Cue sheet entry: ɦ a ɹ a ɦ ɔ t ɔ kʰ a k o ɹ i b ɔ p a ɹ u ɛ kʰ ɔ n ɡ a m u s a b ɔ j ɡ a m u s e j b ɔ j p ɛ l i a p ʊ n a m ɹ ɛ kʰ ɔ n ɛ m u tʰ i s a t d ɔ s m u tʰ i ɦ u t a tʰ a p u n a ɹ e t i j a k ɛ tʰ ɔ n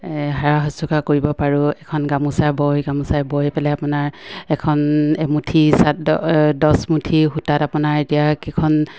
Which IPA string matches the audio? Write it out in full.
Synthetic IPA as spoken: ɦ a ɹ a ɦ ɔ s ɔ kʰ a k o ɹ i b ɔ p a ɹ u ɛ kʰ ɔ n ɡ a m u s a b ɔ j ɡ a m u s a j b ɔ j p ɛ l ɛ a p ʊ n a ɹ ɛ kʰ ɔ n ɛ m u tʰ i s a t d ɔ s m u tʰ i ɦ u t a t a p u n a ɹ e t i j a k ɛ kʰ ɔ n